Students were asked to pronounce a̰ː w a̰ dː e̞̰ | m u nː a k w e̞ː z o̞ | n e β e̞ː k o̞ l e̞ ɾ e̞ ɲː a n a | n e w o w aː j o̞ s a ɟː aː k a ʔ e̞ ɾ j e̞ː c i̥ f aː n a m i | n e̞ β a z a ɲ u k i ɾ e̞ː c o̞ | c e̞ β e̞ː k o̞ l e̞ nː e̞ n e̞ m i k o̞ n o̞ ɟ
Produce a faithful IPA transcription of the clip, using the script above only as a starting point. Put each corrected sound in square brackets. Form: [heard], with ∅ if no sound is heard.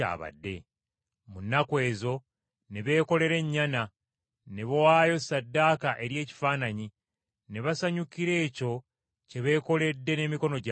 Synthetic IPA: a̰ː [β] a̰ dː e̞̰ | m u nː a k w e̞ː z o̞ | n e β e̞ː k o̞ l e̞ ɾ e̞ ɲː a n a | n e [β] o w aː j o̞ s a [dː] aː k a ʔ e̞ ɾ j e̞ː c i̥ f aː n a [ɲ] i | n e̞ β a [s] a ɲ u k i ɾ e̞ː c o̞ | c e̞ β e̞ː k o̞ l e̞ [dː] e̞ n e̞ m i k o̞ n o̞ ɟ

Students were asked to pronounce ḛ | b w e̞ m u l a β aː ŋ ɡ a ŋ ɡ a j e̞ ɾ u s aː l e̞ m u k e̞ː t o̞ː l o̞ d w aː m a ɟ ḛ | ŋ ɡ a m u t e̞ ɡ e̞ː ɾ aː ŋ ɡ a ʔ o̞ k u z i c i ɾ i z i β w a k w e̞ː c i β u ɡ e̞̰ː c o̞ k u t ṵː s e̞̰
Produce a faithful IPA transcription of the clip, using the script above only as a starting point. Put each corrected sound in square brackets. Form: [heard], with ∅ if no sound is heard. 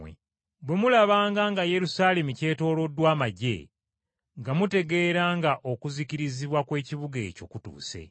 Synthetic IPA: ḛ | b w e̞ m u l a β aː ŋ ɡ a ŋ ɡ a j e̞ ɾ u s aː l e̞ m u [c] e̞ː t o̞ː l o̞ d w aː m a ɟ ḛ | ŋ ɡ a m u t e̞ ɡ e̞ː ɾ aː ŋ ɡ a ʔ o̞ k u z i c i ɾ i z i β w a k w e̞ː c i β u ɡ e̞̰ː c o̞ k u t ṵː s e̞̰

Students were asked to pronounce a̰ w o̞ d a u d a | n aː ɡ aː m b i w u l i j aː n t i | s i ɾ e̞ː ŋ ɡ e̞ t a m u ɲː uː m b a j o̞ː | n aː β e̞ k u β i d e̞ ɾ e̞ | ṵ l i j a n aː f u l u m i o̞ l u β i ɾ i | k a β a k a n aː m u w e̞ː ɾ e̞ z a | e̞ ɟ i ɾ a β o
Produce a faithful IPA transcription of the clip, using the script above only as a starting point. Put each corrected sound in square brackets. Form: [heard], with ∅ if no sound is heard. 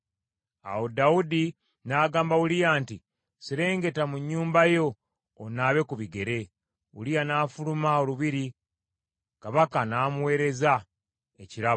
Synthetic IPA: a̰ w o̞ d a u d [i] | n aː ɡ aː m b [a] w u l i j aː n t i | s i ɾ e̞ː ŋ ɡ e̞ t a m u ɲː uː m b a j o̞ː | n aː β e̞ k u β i [ɡ] e̞ ɾ e̞ | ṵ l i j a n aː f u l u m [a] o̞ l u β i ɾ i | k a β a k a n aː m u w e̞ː ɾ e̞ z a | e̞ [c] i ɾ a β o

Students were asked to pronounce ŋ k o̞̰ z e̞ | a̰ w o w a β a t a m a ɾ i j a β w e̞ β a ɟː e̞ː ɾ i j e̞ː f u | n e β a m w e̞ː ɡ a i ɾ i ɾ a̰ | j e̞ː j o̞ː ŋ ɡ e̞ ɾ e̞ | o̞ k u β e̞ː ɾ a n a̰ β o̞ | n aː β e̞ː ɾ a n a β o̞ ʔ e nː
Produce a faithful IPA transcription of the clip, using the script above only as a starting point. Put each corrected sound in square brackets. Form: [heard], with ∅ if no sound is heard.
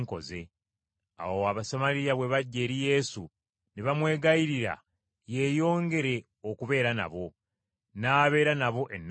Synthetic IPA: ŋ k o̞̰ z e̞ | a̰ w o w a β a [s] a m a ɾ i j a β w e̞ β a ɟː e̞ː ɾ i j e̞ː [s] u | n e β a m w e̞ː ɡ a i ɾ i ɾ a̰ | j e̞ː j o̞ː ŋ ɡ e̞ ɾ e̞ | o̞ k u β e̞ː ɾ a n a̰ β o̞ | n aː β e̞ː ɾ a n a β o̞ ʔ e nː

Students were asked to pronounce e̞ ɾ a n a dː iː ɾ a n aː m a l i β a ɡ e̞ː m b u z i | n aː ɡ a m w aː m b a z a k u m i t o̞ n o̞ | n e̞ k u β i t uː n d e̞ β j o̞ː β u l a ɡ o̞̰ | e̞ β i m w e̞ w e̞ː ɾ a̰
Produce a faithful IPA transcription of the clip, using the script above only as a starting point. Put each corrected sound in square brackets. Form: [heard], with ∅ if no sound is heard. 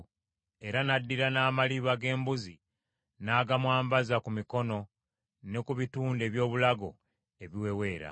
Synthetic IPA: e̞ ɾ a n a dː [i] ɾ a n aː m a l i β a ɡ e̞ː m b u z i | n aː ɡ a m w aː m b a z a k u m i [k] o̞ n o̞ | n e̞ k u β i t uː n d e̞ β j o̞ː β u l a ɡ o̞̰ | e̞ β i [∅] w e̞ w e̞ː ɾ a̰

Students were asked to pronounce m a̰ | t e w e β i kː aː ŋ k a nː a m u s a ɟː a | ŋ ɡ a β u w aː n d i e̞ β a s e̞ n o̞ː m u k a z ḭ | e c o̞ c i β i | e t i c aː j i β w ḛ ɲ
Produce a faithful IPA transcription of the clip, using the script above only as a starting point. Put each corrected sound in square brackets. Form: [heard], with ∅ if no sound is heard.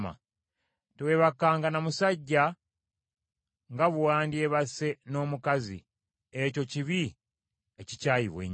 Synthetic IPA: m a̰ | t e w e β [a] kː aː ŋ [ɡ] a [n] a m u s a ɟː a | ŋ ɡ a β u w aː n d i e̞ β a s e̞ n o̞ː m u k a z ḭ | e c o̞ c i β i | e [c] i c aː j i β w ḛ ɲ

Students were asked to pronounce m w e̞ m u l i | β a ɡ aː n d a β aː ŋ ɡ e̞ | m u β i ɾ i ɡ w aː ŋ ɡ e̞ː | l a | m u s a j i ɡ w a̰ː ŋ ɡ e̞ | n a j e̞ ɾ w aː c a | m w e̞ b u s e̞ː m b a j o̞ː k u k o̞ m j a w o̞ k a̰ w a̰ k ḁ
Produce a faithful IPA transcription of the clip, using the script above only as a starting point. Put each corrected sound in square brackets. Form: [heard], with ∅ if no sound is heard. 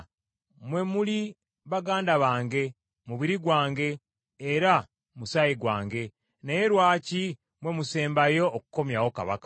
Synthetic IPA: m w e̞ m u l i | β a ɡ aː n d a β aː ŋ ɡ e̞ | m u β i ɾ i ɡ w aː ŋ ɡ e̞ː | [ɾ] a | m u s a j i ɡ w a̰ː ŋ ɡ e̞ | n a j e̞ ɾ w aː c [i] | m w e̞ [m] u s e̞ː m b a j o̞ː k u k o̞ m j a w o̞ k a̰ [β] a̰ k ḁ

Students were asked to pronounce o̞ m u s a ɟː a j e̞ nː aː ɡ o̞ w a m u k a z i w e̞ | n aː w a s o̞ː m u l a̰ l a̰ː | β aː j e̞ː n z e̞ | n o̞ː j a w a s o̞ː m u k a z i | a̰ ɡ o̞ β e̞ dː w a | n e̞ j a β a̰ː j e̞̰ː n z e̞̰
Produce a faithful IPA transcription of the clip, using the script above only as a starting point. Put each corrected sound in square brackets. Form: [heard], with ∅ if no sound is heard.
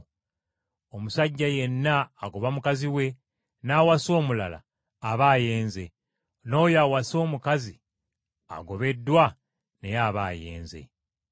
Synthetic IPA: o̞ m u s a ɟː a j e̞ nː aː ɡ o̞ [β] a m u k a z i w e̞ | n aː w a s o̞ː m u l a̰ l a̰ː | β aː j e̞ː n z e̞ | n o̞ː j a w a s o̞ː m u k a z i | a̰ ɡ o̞ β e̞ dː w a | n e̞ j a β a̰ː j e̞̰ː n z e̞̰

